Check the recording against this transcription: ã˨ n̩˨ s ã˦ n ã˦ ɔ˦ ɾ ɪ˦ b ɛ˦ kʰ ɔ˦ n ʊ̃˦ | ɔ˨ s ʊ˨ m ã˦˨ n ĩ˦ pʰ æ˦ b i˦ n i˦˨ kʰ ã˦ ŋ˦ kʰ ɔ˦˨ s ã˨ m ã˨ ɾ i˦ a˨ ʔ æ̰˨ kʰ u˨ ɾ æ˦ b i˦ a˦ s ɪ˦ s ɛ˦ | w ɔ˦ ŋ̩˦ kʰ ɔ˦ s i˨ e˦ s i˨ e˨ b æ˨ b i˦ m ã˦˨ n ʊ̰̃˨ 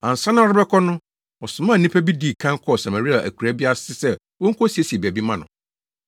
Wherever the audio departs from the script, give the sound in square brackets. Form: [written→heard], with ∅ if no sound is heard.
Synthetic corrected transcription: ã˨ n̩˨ s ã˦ n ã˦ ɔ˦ ɾ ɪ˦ b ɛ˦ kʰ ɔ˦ n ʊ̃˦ | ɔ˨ s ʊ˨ m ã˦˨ n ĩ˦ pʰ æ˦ b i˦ [n→d] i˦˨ kʰ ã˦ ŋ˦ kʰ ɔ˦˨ s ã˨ m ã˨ ɾ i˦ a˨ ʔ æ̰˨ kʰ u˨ ɾ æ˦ b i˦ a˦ s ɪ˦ s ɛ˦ | w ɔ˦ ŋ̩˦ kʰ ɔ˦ s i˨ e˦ s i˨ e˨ b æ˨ b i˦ m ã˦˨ n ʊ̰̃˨